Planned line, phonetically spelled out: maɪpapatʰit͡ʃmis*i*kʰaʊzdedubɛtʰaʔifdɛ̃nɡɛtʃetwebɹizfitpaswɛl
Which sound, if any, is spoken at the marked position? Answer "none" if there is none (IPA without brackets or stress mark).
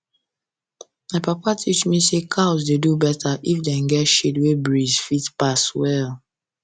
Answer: e